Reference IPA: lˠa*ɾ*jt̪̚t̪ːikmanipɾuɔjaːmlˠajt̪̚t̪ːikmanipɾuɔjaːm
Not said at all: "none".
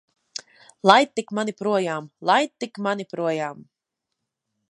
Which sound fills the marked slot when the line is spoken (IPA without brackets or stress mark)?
none